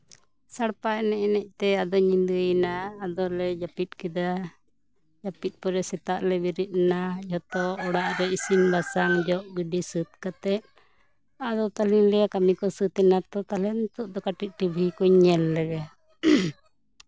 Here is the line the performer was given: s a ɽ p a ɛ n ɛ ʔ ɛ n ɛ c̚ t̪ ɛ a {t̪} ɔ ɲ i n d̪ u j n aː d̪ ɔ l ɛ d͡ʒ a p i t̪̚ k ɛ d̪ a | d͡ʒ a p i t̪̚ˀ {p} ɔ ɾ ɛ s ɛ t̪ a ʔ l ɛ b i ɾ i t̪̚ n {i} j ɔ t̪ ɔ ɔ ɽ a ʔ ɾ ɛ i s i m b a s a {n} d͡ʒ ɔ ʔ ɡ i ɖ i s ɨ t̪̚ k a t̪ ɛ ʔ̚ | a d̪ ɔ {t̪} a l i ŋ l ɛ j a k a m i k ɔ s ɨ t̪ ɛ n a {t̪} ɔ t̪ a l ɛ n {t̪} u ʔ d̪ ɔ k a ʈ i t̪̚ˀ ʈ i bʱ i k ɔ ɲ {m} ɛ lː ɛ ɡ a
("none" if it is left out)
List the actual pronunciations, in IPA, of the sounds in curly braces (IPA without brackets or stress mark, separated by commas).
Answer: d̪, p, a, ŋ, t̪, t̪, t̪, ɲ